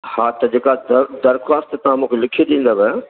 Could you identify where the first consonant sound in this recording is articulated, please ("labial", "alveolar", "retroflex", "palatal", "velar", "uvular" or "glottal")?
glottal